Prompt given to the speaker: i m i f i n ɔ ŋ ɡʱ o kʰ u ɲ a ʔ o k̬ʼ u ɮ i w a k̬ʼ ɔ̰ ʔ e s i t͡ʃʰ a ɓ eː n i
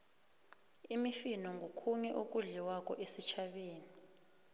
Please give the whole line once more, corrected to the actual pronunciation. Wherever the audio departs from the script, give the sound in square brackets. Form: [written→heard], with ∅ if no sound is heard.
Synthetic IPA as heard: i m i f i n ɔ ŋ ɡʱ o kʰ u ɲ [a→ɛ] ʔ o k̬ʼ u ɮ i w a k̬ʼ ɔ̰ ʔ e s i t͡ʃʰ a ɓ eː n i